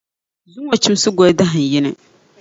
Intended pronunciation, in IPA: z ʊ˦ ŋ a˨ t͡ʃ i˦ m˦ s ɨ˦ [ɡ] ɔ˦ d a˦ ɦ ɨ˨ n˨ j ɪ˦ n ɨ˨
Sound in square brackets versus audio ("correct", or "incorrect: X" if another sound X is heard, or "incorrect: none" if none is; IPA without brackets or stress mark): correct